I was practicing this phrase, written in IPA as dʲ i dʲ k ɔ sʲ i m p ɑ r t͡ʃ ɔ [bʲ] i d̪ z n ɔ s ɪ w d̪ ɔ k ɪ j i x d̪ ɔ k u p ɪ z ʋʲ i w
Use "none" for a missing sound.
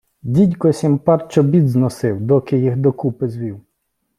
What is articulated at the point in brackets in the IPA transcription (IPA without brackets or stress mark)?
bʲ